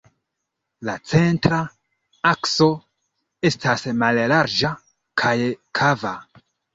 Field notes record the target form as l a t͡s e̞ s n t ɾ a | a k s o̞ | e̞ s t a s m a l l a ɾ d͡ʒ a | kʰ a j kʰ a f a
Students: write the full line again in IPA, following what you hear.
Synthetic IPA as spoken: l a t͡s e̞ n t ɾ a | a k s o̞ | e̞ s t a s m a l l a ɾ d͡ʒ a | kʰ a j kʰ a v a